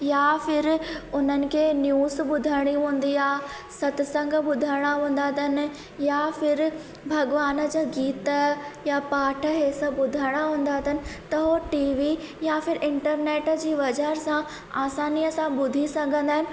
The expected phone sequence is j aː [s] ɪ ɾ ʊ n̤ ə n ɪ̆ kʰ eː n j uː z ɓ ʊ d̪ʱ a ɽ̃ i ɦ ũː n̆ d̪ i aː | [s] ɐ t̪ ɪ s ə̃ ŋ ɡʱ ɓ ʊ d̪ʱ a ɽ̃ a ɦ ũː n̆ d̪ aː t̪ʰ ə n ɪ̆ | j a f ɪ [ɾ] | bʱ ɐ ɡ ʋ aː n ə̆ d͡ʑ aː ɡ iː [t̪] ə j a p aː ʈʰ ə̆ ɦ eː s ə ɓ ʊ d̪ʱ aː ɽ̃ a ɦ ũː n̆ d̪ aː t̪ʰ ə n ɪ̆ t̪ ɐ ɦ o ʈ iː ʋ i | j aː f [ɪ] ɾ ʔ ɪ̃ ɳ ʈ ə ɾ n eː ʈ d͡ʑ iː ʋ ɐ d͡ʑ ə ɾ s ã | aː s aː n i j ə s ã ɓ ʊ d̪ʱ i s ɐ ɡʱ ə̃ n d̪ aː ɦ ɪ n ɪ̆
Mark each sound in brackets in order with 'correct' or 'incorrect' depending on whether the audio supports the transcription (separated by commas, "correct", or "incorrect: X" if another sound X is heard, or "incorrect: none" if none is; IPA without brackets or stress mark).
incorrect: f, correct, correct, correct, correct